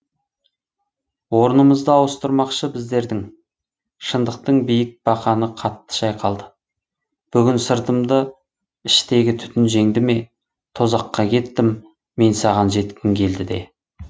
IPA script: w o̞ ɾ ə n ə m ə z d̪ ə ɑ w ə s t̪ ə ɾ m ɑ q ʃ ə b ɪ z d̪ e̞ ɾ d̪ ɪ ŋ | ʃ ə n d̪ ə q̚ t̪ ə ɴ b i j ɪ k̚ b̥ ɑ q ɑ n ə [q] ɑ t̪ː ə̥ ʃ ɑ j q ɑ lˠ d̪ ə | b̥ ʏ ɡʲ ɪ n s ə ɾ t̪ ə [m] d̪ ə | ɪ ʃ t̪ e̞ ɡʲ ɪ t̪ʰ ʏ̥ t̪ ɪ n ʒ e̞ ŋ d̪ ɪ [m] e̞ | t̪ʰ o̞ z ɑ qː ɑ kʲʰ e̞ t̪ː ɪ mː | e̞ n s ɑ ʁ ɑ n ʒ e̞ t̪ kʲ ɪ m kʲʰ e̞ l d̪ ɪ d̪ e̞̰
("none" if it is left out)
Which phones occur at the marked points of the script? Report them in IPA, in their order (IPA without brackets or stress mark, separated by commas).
qʰ, m, m